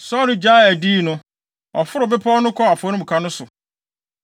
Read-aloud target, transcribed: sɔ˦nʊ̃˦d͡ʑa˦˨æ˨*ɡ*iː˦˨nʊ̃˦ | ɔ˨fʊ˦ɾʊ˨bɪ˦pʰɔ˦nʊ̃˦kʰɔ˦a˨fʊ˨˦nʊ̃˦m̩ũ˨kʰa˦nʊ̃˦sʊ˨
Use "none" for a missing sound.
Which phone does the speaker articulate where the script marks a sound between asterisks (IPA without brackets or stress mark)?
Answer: d